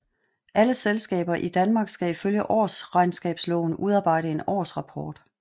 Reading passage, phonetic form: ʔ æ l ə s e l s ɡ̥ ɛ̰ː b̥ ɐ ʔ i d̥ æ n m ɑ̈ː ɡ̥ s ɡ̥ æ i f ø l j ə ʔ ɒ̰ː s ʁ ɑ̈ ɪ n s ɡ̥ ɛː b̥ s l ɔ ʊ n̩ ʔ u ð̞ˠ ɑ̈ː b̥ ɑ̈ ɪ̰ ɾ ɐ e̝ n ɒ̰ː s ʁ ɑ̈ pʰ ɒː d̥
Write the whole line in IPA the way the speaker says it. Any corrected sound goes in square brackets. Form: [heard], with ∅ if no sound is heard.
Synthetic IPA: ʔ æ l ə s e l s ɡ̥ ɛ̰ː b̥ ɐ ʔ i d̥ æ n m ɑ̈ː ɡ̥ s ɡ̥ æ i f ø l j ə ʔ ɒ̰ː s ʁ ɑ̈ ɪ n s ɡ̥ ɛː b̥ s l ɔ ʊ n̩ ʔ u ð̞ˠ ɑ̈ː b̥ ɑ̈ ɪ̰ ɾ [ə] e̝ n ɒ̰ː s ʁ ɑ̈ pʰ ɒː d̥